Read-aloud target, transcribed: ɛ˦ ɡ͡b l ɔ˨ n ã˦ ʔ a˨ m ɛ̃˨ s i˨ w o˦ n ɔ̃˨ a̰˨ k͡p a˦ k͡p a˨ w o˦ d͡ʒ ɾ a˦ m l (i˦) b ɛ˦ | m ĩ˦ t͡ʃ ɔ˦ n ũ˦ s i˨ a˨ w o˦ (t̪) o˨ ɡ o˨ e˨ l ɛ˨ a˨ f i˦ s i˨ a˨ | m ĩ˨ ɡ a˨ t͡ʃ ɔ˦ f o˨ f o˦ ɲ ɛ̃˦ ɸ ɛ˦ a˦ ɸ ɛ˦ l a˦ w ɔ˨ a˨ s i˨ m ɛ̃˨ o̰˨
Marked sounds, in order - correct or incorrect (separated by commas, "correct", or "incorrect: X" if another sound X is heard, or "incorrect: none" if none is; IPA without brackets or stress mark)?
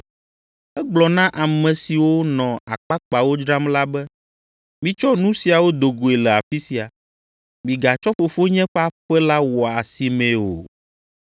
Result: incorrect: a˦, incorrect: d̪